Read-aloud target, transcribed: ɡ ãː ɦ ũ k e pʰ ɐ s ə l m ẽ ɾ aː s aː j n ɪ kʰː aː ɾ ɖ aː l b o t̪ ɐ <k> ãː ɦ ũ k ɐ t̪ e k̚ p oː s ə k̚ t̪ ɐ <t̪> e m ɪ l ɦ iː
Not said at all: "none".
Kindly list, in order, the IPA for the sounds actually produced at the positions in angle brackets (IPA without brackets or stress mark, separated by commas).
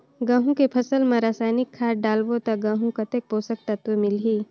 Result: ɡ, t̪